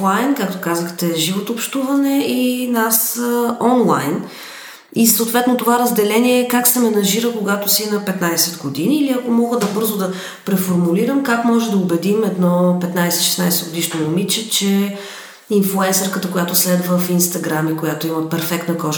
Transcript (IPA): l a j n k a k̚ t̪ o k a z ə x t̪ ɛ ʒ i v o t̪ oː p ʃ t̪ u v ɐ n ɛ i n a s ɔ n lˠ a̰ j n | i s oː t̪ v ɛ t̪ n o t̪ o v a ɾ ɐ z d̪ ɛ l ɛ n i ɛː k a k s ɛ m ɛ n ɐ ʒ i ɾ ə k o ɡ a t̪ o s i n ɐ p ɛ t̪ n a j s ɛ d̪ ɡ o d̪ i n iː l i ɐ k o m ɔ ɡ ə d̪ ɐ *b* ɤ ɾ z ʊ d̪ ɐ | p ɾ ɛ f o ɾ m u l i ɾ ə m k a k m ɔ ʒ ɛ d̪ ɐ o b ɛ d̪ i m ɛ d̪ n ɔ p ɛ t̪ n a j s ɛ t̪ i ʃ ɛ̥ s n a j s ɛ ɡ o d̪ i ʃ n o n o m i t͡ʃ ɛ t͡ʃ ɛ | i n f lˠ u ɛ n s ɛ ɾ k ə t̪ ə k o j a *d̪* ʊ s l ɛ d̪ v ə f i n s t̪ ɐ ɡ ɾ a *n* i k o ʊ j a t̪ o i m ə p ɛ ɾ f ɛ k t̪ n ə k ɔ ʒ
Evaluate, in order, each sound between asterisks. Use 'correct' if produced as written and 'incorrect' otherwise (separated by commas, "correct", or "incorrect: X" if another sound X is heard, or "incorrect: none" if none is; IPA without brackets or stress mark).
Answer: correct, incorrect: t̪, incorrect: m